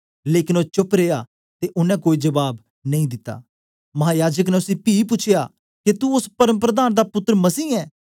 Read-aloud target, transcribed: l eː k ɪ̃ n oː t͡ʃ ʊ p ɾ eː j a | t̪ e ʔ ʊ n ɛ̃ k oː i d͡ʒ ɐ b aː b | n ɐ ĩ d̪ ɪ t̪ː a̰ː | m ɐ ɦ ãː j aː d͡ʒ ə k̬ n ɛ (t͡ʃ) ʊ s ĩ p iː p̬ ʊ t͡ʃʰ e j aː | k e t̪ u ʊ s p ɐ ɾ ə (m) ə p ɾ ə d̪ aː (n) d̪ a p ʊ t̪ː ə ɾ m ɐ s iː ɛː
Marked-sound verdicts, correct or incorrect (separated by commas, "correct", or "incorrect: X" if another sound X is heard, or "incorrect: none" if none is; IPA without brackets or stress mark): incorrect: none, correct, correct